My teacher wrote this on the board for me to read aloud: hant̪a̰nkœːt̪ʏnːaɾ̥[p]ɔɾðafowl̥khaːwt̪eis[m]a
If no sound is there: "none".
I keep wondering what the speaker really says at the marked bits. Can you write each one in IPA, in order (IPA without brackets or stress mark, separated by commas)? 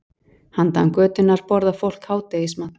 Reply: p, m